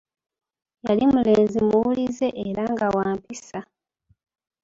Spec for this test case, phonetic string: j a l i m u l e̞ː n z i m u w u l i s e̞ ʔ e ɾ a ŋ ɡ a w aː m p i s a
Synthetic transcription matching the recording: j a l i m u l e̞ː n z i m u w u l i z e̞ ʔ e ɾ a ŋ ɡ a w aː m p i s a

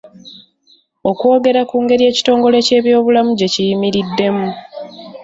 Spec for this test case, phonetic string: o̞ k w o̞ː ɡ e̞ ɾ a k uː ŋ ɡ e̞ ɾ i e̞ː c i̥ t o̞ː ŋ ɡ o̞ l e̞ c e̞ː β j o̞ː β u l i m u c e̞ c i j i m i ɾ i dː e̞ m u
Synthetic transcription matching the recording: o̞ k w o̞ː ɡ e̞ ɾ a k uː ŋ ɡ e̞ ɾ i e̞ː c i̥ t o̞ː ŋ ɡ o̞ l e̞ c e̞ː β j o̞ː β u l a m u ɟ e̞ c i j i m i ɾ i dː e̞ m u

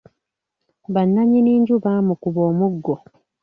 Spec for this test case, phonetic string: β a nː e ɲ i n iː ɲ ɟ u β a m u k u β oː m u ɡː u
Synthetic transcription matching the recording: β a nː a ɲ i n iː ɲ ɟ u β a m u k u β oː m u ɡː o

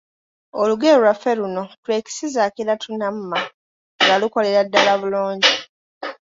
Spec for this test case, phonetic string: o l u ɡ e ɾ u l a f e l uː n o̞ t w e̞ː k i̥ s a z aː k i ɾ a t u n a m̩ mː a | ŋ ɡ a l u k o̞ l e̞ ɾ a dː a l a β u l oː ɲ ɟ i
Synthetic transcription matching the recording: o l u ɡ e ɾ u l a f e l u n o̞ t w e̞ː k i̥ s i z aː k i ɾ a t u n a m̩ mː a | ŋ ɡ a l u k o̞ l e̞ ɾ a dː a l a β u l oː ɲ ɟ i

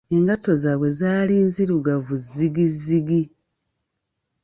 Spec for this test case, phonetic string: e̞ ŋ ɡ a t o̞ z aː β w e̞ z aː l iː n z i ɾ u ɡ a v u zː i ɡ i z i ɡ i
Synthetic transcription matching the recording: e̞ ŋ ɡ a t o̞ z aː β w e̞ z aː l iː n z i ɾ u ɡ a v u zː i ɡ i z i ɡ i

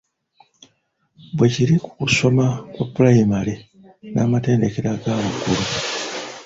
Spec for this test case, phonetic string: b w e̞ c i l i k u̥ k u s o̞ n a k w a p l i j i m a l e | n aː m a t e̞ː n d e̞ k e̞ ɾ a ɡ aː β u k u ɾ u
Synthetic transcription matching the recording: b w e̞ c i ɾ i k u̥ k u s o̞ m a k w a p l a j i m a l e | n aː m a t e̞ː n d e̞ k e̞ ɾ a ɡ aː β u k u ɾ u

